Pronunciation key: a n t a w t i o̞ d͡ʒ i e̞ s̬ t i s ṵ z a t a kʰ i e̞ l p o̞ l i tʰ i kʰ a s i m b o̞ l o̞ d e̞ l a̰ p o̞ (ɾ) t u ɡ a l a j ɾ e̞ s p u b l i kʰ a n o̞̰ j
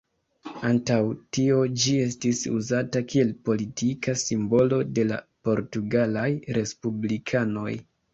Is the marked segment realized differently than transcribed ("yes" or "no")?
no